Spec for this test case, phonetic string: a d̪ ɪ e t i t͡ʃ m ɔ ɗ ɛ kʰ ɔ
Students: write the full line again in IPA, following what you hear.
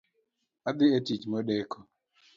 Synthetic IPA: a d̪ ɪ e t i t͡ʃ m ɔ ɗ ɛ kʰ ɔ